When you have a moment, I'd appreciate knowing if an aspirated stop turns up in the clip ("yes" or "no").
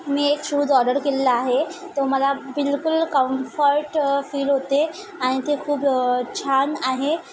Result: yes